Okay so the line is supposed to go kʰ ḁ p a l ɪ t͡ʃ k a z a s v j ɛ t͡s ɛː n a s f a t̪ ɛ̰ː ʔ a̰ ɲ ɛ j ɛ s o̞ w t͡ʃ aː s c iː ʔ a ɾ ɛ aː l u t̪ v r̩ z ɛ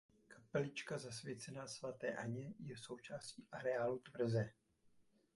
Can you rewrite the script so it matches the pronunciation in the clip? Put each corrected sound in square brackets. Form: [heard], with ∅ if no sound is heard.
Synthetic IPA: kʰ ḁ p [ɛ] l ɪ t͡ʃ k a z a s v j ɛ t͡s [ɛ] n a s [v] a t̪ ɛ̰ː ʔ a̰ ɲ ɛ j ɛ s o̞ w t͡ʃ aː s c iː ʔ a ɾ ɛ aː l u t̪ v r̩ z ɛ

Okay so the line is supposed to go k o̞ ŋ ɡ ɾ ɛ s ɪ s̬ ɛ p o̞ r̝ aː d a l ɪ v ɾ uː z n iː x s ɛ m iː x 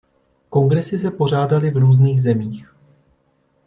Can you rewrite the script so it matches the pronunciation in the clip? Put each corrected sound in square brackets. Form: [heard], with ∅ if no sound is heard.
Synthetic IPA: k o̞ ŋ ɡ ɾ ɛ s ɪ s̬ ɛ p o̞ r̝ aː d a l ɪ v ɾ uː z n iː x [z] ɛ m iː x

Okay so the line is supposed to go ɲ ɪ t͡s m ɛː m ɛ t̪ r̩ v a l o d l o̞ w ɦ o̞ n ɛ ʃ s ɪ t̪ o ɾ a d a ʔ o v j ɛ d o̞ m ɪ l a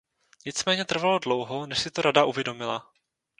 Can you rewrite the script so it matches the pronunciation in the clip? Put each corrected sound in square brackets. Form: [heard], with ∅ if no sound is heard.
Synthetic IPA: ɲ ɪ t͡s m ɛː [ɲ] ɛ t̪ r̩ v a l o d l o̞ w ɦ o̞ n ɛ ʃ s ɪ t̪ o ɾ a d a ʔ [u] v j ɛ d o̞ m ɪ l a

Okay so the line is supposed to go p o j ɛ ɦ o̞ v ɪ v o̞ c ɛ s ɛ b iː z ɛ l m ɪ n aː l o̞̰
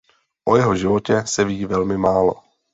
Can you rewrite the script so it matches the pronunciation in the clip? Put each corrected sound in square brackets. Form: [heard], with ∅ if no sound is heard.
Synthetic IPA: [ʔ] o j ɛ ɦ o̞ [ʒ] ɪ v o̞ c ɛ s ɛ [v] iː [v] ɛ l m ɪ [m] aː l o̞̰

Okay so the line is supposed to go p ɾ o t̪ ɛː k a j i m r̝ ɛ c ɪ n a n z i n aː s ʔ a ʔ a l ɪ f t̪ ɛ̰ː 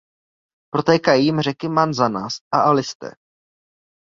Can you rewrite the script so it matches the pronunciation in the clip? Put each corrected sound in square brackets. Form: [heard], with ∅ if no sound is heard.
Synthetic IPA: p ɾ o t̪ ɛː k a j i m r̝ ɛ [k] ɪ [m] a n z [a] n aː s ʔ a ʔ a l ɪ [s] t̪ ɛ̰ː

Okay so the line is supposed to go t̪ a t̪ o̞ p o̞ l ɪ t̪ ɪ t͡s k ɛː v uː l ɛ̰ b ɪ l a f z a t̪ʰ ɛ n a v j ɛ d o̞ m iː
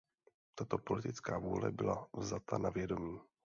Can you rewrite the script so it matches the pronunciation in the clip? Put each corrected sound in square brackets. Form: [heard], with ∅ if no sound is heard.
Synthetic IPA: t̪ a t̪ o̞ p o̞ l ɪ t̪ ɪ t͡s k [aː] v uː l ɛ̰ b ɪ l a [v] z a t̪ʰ [a] n a v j ɛ d o̞ m iː

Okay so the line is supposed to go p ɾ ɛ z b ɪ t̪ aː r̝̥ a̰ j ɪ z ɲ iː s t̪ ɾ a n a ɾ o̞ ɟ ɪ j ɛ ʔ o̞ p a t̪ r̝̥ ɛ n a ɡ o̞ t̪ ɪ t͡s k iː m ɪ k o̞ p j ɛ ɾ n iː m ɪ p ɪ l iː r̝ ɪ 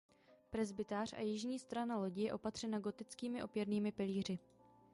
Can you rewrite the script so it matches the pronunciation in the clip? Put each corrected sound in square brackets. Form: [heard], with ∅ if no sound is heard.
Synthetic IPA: p ɾ ɛ z b ɪ t̪ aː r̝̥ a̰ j ɪ [ʒ] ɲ iː s t̪ ɾ a n a [l] o̞ ɟ ɪ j ɛ ʔ o̞ p a t̪ r̝̥ ɛ n a ɡ o̞ t̪ ɪ t͡s k iː m ɪ [ʔ] o̞ p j ɛ ɾ n iː m ɪ p ɪ l iː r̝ ɪ

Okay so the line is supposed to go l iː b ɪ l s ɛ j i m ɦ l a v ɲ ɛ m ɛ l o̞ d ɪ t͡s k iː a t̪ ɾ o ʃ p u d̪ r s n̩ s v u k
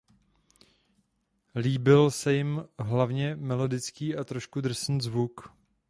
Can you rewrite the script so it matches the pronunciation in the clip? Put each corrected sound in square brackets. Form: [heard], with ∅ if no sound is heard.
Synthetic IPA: l iː b ɪ l s ɛ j [ɪ] m ɦ l a v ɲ ɛ m ɛ l o̞ d ɪ t͡s k iː a t̪ ɾ o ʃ [k] u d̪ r s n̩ [z] v u k

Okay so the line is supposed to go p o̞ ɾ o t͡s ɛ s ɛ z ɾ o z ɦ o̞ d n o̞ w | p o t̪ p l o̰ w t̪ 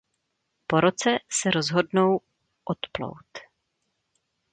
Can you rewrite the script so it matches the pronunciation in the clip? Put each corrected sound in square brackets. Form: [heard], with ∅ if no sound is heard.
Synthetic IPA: p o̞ ɾ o t͡s ɛ s ɛ [∅] ɾ o z ɦ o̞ d n o̞ w | [ʔ] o t̪ p l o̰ w t̪

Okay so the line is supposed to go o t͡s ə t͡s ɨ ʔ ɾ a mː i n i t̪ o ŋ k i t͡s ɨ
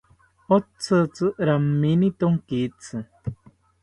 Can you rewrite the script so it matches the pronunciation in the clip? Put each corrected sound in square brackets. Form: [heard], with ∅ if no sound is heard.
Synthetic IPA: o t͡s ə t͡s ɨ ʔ ɾ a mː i n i t̪ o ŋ k i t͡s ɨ

